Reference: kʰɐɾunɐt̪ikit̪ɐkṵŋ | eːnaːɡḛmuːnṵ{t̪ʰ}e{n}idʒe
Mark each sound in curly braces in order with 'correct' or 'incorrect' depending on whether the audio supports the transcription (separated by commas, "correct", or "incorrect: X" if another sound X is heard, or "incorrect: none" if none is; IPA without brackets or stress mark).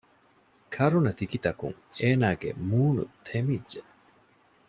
correct, incorrect: m